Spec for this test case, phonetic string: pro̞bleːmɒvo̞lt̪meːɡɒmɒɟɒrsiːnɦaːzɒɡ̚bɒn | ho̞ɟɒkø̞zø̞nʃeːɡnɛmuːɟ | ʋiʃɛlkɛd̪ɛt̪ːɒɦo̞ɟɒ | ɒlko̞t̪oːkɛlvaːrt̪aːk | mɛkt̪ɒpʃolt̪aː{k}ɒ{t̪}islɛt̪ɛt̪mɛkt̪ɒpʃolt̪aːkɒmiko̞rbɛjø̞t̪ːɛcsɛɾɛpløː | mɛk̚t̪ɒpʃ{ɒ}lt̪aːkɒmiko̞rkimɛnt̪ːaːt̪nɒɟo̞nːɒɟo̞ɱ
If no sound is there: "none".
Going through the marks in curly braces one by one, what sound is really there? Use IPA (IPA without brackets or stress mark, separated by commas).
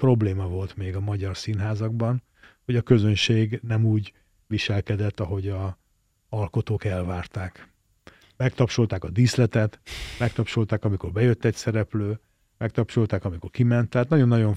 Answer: k, d̪, o